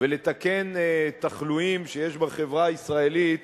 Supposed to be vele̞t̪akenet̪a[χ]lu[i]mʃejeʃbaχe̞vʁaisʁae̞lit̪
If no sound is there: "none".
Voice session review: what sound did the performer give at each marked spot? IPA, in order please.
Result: χ, i

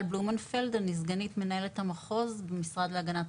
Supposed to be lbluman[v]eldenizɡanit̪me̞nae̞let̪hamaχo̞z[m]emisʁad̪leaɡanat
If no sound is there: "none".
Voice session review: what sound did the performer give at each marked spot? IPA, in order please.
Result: f, b

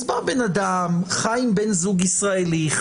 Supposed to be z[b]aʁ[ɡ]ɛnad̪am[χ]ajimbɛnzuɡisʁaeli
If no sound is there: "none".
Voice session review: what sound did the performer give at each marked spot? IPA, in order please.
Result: b, b, χ

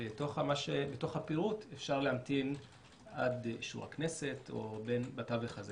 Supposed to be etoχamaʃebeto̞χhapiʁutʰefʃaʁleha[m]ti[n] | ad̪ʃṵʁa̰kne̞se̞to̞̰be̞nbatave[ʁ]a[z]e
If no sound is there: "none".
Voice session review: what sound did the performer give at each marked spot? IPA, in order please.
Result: m, n, χ, z

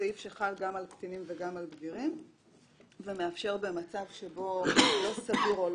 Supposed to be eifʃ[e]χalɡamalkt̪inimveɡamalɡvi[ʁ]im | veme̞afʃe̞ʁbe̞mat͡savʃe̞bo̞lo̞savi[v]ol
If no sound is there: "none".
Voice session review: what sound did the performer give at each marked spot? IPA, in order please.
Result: e, ʁ, ʁ

